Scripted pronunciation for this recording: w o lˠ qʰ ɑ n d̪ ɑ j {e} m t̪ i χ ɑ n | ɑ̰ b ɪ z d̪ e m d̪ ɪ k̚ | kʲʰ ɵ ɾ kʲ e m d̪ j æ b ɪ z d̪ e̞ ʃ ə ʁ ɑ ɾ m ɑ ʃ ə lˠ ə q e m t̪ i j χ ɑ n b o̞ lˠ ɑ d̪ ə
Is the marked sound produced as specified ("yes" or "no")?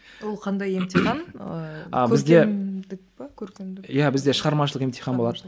yes